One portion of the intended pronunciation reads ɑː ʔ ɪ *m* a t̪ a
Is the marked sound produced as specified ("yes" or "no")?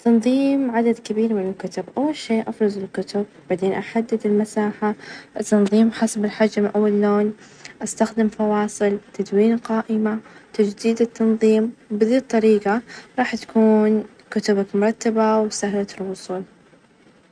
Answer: yes